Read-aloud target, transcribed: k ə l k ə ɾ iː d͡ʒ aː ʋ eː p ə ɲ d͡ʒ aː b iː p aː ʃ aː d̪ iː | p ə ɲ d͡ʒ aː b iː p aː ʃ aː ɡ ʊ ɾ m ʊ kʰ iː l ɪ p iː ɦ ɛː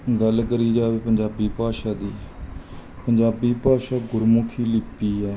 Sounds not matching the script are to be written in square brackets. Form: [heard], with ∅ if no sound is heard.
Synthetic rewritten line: [ɡ] ə l k ə ɾ iː d͡ʒ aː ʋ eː p ə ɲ d͡ʒ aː b iː p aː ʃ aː d̪ iː | p ə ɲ d͡ʒ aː b iː p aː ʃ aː ɡ ʊ ɾ m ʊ kʰ iː l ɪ p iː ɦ ɛː